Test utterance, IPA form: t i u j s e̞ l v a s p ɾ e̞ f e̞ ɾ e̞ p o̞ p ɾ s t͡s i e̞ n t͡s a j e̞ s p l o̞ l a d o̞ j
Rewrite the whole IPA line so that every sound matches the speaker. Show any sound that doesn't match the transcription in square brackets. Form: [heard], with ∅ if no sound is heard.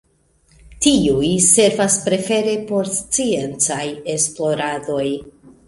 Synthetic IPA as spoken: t i u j s e̞ [ɾ] v a s p ɾ e̞ f e̞ ɾ e̞ p o̞ [∅] ɾ s t͡s i e̞ n t͡s a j e̞ s p l o̞ [ɾ] a d o̞ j